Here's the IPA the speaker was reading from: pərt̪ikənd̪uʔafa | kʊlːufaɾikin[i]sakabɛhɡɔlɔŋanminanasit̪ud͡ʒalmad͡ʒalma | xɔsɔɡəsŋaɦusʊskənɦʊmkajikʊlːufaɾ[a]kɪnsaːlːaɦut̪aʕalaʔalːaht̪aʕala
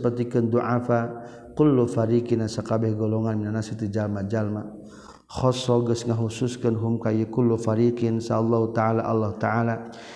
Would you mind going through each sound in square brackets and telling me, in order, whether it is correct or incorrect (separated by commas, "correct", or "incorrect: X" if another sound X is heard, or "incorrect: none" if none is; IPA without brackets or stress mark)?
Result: incorrect: a, incorrect: i